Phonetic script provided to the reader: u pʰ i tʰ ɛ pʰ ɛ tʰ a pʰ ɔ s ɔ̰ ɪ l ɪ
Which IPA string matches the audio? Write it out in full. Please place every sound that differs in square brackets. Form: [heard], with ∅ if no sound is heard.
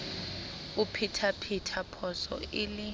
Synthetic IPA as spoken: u pʰ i tʰ [a] pʰ [i] tʰ a pʰ ɔ s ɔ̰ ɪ l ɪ